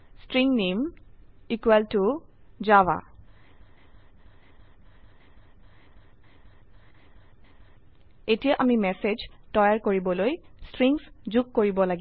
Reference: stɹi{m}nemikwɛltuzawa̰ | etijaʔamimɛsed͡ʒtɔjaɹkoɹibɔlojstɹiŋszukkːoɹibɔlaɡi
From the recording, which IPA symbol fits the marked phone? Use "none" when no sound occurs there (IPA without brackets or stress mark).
ŋ